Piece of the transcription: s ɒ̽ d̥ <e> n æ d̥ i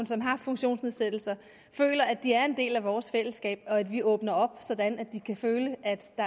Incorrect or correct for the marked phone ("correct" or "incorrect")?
incorrect